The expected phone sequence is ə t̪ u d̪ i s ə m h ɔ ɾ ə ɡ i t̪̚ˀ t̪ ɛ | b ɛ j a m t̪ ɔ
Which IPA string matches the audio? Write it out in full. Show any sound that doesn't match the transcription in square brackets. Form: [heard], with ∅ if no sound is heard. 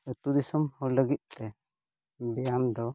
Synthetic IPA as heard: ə t̪ u d̪ i s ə m h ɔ [l] ə ɡ i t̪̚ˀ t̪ ɛ | b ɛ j a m [d̪] ɔ